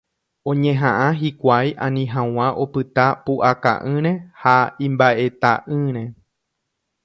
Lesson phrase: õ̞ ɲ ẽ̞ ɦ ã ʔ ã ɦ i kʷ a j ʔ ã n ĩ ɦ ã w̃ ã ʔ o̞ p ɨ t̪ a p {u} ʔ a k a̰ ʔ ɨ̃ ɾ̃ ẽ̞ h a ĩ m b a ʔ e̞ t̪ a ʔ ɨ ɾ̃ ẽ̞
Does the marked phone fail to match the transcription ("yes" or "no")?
no